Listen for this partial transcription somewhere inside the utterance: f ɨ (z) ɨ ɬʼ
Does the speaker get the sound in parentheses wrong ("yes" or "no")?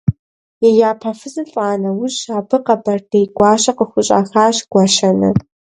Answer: no